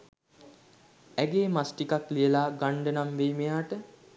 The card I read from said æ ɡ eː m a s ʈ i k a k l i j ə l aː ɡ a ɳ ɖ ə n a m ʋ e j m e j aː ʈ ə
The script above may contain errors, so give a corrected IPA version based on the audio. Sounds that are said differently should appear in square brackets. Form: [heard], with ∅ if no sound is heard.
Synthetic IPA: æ ɡ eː m a s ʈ i k a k l i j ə l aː ɡ a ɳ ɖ ə n a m ʋ e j m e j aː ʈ ə